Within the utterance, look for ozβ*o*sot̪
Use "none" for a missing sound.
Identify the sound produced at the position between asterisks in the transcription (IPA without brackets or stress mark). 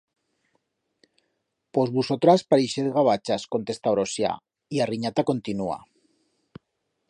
u